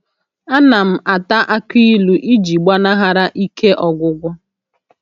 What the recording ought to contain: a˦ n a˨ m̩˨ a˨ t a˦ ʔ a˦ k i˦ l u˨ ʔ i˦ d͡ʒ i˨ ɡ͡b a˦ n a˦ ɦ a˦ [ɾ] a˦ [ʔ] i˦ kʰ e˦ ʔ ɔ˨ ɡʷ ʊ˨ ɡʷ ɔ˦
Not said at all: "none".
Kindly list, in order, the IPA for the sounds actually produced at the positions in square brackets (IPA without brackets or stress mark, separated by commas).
ɾ, ʔ